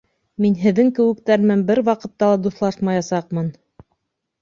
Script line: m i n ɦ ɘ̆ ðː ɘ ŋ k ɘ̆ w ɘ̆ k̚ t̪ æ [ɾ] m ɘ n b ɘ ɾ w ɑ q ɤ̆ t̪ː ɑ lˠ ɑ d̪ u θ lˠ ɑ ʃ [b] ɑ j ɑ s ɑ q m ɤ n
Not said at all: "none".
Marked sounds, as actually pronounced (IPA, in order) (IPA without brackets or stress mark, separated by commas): ɾ, m